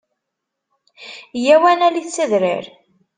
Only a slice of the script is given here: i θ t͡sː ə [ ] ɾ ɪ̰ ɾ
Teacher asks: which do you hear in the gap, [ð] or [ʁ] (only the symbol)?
ð